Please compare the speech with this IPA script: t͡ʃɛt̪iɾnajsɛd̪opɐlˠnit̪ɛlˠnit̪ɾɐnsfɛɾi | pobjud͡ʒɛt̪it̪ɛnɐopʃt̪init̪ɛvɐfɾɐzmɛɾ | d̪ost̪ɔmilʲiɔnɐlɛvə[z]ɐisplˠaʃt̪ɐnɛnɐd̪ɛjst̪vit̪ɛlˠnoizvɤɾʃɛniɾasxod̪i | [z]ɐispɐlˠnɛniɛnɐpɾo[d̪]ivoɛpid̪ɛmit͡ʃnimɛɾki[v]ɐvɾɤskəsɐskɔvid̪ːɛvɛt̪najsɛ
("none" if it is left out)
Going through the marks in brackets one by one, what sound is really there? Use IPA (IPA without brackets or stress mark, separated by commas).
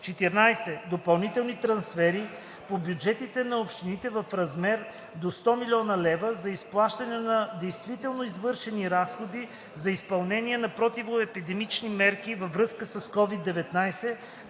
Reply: z, z, t̪, v